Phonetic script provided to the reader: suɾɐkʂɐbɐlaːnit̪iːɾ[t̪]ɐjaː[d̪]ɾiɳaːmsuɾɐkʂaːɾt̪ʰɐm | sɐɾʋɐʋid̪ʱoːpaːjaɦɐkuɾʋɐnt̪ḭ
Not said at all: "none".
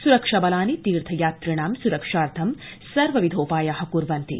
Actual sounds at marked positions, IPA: t̪ʰ, t̪

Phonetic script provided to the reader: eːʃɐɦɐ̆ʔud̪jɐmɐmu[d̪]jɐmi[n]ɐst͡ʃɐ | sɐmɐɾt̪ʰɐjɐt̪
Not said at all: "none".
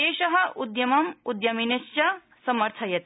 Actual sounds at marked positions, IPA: d̪, n

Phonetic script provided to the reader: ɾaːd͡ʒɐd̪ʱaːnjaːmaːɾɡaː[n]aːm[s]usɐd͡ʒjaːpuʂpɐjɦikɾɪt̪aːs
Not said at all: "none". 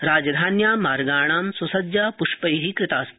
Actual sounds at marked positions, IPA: ɳ, s

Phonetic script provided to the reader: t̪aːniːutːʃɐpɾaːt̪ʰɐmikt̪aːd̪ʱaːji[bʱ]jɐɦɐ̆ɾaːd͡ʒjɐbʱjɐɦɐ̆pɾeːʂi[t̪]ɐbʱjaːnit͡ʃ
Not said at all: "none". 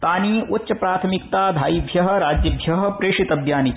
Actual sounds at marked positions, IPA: bʱ, t̪

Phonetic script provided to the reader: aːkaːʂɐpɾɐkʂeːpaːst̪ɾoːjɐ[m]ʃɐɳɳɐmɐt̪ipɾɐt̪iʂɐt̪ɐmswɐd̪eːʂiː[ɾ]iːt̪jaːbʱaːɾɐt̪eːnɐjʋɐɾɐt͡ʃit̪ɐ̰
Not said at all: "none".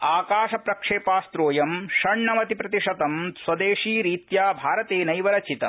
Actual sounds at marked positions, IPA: m, ɾ

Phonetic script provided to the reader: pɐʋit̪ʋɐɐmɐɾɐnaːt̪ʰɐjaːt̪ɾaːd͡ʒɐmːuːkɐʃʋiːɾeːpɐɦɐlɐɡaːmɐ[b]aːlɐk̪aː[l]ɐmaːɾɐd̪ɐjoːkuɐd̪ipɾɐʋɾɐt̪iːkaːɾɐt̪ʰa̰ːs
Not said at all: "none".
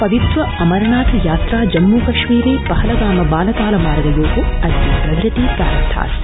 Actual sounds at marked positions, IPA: b, l

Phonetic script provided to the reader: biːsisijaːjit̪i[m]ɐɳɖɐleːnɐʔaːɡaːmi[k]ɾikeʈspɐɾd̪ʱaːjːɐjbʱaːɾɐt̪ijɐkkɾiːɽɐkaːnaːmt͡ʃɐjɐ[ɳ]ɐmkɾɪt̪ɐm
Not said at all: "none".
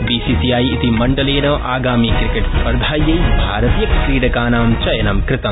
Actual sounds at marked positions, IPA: m, k, n

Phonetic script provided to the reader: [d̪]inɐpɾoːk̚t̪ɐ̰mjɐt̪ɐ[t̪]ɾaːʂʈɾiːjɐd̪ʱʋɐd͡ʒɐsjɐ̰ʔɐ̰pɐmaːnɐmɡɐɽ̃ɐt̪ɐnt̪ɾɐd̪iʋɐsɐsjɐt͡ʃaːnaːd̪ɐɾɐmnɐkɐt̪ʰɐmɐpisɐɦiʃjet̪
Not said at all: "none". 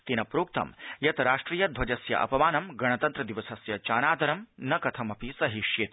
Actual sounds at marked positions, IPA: t̪, none

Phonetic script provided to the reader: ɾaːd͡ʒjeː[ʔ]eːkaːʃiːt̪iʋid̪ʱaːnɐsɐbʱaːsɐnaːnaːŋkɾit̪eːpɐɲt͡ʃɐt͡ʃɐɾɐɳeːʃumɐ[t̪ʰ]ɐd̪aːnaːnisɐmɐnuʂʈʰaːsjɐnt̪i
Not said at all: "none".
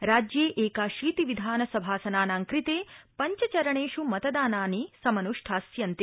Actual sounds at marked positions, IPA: ʔ, t̪

